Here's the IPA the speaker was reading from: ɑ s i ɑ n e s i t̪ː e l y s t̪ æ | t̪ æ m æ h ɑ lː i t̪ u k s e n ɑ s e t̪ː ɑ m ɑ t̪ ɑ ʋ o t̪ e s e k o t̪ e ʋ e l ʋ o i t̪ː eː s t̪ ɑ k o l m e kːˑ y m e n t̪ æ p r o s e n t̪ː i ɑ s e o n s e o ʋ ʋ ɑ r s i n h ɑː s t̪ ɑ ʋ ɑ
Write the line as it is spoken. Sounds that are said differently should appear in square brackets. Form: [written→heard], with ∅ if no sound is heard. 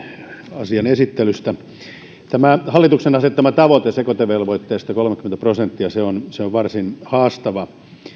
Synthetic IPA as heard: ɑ s i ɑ n e s i t̪ː e l y s t̪ æ | t̪ æ m æ h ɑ lː i t̪ u k s e n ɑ s e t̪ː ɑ m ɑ t̪ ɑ ʋ o t̪ e s e k o t̪ e ʋ e l ʋ o i t̪ː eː s t̪ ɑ k o l m e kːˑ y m e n t̪ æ p r o s e n t̪ː i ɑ s e o n s e o ʋ ʋ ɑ r s i n h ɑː s t̪ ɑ ʋ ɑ